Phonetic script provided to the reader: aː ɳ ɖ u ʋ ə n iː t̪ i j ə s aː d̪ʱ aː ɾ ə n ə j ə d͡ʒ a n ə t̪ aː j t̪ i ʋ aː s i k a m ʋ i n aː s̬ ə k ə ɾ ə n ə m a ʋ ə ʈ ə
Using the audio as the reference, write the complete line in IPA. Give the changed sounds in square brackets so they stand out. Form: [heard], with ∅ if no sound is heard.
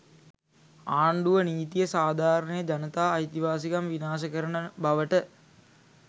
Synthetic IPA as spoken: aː ɳ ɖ u ʋ ə n iː t̪ i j ə s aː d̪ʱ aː ɾ ə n ə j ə d͡ʒ a n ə t̪ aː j t̪ i ʋ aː s i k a m ʋ i n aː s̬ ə k ə ɾ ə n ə [b] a ʋ ə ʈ ə